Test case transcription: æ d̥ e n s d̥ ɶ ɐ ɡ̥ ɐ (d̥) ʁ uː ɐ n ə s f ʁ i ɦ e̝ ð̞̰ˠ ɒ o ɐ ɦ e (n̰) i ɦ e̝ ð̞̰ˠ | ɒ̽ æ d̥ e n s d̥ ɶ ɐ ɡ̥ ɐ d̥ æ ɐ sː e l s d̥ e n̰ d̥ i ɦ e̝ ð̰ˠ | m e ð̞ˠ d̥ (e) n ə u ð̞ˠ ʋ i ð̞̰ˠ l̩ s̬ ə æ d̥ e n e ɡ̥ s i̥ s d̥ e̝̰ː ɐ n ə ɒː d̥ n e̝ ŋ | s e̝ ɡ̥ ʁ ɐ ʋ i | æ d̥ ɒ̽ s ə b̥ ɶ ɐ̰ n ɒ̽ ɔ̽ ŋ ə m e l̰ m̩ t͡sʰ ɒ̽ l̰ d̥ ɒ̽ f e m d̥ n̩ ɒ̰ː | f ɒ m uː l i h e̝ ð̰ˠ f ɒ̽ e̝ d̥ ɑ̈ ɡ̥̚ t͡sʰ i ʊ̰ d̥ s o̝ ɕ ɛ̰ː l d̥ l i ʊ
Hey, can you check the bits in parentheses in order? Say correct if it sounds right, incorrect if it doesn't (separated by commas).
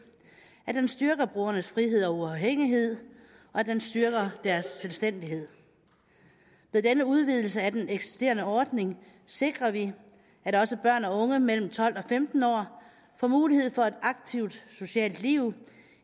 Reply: incorrect, incorrect, correct